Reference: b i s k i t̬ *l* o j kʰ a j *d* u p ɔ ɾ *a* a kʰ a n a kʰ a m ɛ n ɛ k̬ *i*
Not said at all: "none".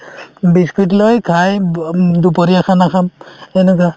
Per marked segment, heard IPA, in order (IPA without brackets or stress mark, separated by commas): l, d, i, a